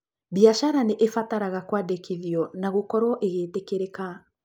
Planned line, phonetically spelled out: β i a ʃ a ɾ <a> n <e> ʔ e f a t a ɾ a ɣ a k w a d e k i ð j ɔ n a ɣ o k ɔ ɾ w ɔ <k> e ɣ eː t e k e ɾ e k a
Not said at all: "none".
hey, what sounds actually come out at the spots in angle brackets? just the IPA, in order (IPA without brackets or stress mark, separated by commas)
a, e, ʔ